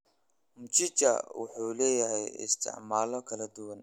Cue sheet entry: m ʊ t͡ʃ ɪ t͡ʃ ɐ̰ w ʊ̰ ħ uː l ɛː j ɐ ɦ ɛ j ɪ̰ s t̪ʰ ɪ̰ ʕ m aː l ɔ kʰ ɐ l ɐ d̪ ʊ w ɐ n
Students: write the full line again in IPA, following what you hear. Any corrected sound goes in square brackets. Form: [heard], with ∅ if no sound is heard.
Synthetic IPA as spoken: m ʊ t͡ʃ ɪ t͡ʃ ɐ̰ w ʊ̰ ħ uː l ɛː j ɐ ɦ ɛ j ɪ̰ s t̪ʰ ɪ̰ ʕ m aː l ɔ kʰ ɐ l ɐ d̪ ʊ w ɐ n